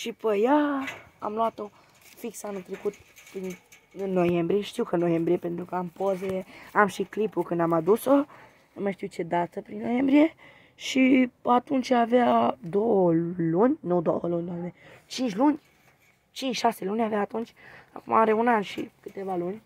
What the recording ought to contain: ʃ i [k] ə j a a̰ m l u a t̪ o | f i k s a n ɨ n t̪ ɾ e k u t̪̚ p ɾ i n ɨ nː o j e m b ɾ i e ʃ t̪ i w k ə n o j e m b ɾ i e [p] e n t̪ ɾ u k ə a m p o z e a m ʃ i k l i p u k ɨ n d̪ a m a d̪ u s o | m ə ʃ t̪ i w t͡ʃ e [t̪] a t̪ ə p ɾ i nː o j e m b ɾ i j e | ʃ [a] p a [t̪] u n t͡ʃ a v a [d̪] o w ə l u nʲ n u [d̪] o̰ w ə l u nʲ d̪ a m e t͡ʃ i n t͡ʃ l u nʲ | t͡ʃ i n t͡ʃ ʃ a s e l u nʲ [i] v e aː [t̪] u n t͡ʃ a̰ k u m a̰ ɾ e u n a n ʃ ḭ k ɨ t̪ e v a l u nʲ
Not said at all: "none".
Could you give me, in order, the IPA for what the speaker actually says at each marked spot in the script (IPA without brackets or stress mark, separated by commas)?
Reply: p, p, d̪, i, t̪, d̪, d̪, a, t̪